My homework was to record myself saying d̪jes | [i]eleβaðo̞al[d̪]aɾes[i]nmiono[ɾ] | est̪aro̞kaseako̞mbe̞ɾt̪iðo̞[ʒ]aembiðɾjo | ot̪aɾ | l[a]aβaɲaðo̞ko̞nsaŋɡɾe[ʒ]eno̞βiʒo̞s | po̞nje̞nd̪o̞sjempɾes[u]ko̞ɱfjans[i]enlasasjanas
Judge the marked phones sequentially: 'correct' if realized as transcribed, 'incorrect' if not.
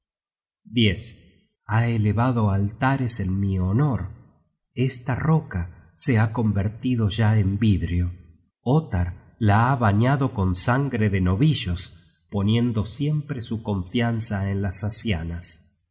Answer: incorrect: a, incorrect: t̪, incorrect: e, correct, correct, correct, incorrect: ð, correct, incorrect: a

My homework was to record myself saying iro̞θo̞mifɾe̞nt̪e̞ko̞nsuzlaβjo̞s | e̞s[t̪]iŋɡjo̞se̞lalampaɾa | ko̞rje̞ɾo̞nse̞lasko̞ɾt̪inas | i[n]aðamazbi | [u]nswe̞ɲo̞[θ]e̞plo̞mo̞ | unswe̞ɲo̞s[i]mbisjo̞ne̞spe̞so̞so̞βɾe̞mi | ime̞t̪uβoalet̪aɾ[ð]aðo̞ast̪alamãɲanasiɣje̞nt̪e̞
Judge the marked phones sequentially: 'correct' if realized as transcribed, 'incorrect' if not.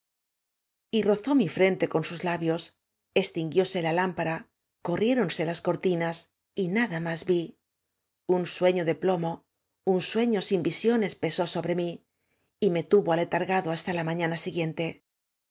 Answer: correct, correct, correct, incorrect: ð, correct, incorrect: ɣ

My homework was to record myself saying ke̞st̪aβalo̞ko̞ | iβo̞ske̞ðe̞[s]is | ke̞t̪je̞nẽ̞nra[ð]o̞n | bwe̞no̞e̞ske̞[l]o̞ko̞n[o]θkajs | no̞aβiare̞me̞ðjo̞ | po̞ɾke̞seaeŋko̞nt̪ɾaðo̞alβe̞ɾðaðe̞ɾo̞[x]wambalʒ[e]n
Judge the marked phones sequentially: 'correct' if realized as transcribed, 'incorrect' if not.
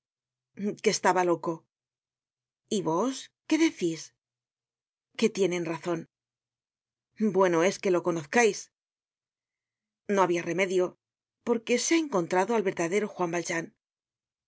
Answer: incorrect: θ, incorrect: θ, correct, correct, correct, incorrect: a

